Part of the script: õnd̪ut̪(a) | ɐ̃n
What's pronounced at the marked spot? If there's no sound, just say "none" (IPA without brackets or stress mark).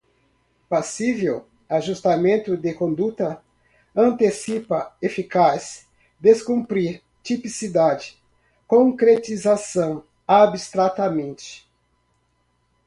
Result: ɐ